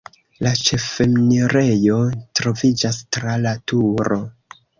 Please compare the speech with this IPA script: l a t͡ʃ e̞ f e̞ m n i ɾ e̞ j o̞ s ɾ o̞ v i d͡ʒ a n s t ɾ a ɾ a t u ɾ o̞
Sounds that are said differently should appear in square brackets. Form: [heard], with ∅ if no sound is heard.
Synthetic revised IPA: l a t͡ʃ e̞ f e̞ m n i ɾ e̞ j o̞ [t] ɾ o̞ v i d͡ʒ a [∅] s t ɾ a [l] a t u ɾ o̞